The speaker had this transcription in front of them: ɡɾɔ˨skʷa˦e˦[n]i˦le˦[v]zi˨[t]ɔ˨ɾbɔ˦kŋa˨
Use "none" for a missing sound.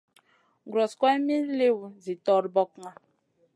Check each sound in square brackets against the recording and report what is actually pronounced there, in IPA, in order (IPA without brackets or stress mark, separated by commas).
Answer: m, w, t